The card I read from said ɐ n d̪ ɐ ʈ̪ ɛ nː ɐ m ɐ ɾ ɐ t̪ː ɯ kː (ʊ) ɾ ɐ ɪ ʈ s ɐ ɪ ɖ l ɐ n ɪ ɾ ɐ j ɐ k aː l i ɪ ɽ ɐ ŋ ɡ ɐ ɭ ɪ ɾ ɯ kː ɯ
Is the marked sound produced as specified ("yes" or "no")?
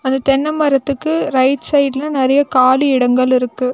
no